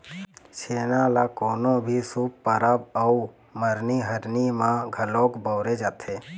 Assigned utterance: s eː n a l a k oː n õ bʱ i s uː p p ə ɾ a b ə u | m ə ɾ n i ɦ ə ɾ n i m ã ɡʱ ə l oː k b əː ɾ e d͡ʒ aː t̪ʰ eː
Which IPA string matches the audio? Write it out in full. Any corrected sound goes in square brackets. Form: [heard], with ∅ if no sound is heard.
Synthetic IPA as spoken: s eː n a l a k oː n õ bʱ i s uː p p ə ɾ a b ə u | m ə ɾ n i ɦ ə ɾ n i m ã ɡʱ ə l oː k b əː ɾ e d͡ʒ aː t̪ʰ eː

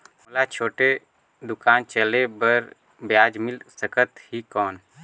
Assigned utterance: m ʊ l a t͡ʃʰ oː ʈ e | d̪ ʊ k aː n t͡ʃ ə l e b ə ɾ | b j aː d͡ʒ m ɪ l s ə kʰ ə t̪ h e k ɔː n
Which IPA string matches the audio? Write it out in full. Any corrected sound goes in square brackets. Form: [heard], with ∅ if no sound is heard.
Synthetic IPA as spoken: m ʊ l a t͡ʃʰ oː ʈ e | d̪ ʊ k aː n t͡ʃ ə l e b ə ɾ | b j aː d͡ʒ m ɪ l s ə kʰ ə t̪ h [i] k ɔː n

